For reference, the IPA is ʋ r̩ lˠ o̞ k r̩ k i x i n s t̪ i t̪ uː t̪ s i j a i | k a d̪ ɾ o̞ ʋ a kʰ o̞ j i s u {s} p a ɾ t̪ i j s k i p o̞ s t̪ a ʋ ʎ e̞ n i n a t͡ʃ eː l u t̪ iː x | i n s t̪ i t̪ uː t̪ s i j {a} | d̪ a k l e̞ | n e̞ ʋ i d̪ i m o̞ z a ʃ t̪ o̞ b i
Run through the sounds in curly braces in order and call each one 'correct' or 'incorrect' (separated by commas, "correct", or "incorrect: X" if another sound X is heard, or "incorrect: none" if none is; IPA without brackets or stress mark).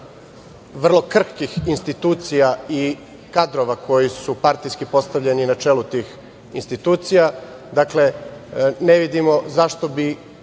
incorrect: none, correct